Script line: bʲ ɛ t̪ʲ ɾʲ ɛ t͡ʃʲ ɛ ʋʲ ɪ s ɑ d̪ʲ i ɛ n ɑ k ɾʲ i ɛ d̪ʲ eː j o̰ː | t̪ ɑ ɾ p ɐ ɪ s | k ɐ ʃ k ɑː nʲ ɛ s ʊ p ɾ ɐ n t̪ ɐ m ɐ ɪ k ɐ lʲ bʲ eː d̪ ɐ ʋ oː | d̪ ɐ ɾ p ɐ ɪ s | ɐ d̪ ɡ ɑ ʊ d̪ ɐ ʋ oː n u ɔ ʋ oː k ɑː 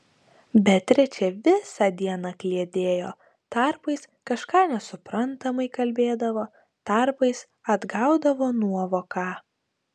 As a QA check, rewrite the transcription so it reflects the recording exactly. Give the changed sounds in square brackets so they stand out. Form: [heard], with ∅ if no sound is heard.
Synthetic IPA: bʲ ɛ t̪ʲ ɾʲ ɛ t͡ʃʲ ɛ ʋʲ ɪ s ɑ d̪ʲ i ɛ n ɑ k [lʲ] i ɛ d̪ʲ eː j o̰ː | t̪ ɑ ɾ p ɐ ɪ s | k ɐ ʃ k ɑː nʲ ɛ s ʊ p ɾ ɐ n t̪ ɐ m ɐ ɪ k ɐ lʲ bʲ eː d̪ ɐ ʋ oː | [t̪] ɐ ɾ p ɐ ɪ s | ɐ d̪ ɡ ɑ ʊ d̪ ɐ ʋ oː n u ɔ ʋ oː k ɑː

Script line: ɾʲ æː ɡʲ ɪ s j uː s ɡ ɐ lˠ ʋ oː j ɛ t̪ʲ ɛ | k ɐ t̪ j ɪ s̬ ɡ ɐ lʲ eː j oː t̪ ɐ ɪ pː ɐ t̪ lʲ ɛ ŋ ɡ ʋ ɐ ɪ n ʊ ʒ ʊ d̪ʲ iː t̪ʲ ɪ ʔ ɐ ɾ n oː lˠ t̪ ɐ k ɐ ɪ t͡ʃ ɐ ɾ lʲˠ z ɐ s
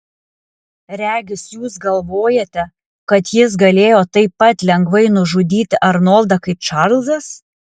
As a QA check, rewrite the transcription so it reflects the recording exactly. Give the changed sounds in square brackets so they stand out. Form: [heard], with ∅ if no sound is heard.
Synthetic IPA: ɾʲ æː ɡʲ ɪ s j uː s ɡ ɐ lˠ ʋ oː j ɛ t̪ʲ ɛ | k ɐ t̪ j ɪ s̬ ɡ ɐ lʲ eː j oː t̪ ɐ ɪ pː ɐ t̪ lʲ ɛ ŋ ɡ ʋ ɐ ɪ n ʊ ʒ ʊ d̪ʲ iː t̪ʲ ɪ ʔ ɐ ɾ n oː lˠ [d̪] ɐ k ɐ ɪ t͡ʃ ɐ ɾ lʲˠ z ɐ s

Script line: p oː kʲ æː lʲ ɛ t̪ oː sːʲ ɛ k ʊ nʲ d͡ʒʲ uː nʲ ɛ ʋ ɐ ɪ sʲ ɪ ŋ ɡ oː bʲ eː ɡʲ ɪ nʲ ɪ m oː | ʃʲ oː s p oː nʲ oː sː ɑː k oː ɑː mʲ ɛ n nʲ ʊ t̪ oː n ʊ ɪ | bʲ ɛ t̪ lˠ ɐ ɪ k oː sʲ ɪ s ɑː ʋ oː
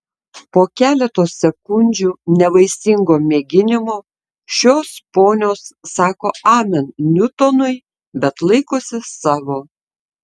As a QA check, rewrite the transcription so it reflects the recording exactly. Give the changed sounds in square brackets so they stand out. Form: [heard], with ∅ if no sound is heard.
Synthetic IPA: p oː kʲ æː lʲ ɛ t̪ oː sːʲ ɛ k ʊ nʲ d͡ʒʲ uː nʲ ɛ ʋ ɐ ɪ sʲ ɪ ŋ ɡ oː [mʲ] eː ɡʲ ɪ nʲ ɪ m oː | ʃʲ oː s p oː nʲ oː sː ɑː k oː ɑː mʲ ɛ n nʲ ʊ t̪ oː n ʊ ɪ | bʲ ɛ t̪ lˠ ɐ ɪ k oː sʲ ɪ s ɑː ʋ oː

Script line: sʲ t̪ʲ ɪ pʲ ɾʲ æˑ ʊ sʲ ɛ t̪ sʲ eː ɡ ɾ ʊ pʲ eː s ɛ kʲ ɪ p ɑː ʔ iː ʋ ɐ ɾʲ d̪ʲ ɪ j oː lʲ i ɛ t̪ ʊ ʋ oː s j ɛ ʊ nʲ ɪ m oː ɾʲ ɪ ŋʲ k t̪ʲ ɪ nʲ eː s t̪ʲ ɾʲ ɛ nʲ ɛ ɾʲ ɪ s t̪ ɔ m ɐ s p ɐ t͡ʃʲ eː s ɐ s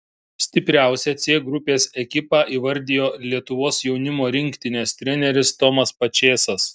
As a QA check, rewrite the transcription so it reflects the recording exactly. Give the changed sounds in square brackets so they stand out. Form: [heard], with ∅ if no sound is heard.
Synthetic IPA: sʲ t̪ʲ ɪ pʲ ɾʲ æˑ ʊ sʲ ɛ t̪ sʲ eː ɡ ɾ ʊ pʲ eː s ɛ kʲ ɪ p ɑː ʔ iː ʋ ɐ ɾʲ d̪ʲ ɪ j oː lʲ i ɛ t̪ ʊ ʋ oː s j ɛ ʊ nʲ ɪ m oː ɾʲ ɪ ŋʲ k t̪ʲ ɪ nʲ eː s t̪ʲ ɾʲ ɛ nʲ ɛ ɾʲ ɪ s t̪ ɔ m ɐ s p ɐ t͡ʃʲ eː s ɐ s

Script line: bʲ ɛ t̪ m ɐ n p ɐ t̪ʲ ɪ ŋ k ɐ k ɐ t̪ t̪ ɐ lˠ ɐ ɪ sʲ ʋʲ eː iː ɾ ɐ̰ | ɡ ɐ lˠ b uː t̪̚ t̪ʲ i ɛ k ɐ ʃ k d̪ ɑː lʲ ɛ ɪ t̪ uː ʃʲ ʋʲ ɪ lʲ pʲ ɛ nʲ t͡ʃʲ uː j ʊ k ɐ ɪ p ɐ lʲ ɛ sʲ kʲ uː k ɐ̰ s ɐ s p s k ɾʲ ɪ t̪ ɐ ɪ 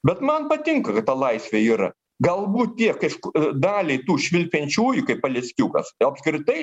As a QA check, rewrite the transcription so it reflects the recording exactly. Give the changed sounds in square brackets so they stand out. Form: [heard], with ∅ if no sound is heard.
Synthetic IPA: bʲ ɛ t̪ m ɐ n p ɐ t̪ʲ ɪ ŋ k ɐ k ɐ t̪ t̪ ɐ lˠ ɐ ɪ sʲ ʋʲ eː iː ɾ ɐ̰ | ɡ ɐ lˠ b uː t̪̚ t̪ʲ i ɛ k ɐ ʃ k d̪ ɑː lʲ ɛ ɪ t̪ uː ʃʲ ʋʲ ɪ lʲ pʲ ɛ nʲ t͡ʃʲ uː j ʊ k ɐ ɪ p ɐ lʲ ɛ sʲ kʲ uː k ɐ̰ s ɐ [∅] p s k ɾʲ ɪ t̪ ɐ ɪ

